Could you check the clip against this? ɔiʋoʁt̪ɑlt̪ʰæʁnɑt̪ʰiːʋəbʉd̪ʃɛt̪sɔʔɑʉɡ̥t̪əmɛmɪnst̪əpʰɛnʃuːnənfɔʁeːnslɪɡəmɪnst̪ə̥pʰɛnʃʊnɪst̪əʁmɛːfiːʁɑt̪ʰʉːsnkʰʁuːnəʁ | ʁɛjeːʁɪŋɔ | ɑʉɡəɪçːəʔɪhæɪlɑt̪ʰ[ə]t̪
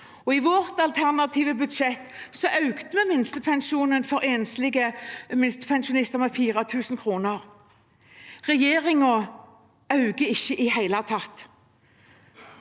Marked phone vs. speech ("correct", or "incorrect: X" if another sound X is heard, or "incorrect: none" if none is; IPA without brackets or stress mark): incorrect: ɑ